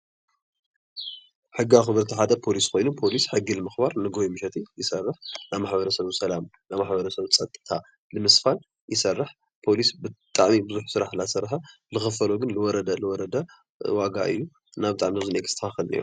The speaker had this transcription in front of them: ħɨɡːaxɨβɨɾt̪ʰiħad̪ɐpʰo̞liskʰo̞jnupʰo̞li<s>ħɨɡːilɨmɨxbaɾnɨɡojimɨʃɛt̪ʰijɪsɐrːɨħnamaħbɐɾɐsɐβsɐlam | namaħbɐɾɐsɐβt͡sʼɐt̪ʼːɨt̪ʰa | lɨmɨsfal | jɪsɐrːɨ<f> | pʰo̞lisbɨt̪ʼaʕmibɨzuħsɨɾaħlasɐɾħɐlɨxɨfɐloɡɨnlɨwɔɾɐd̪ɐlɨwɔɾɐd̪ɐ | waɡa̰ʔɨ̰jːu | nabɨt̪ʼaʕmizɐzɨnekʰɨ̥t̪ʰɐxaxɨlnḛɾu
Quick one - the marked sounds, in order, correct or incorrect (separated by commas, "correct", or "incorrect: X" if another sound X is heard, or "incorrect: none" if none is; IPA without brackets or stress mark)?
correct, incorrect: ħ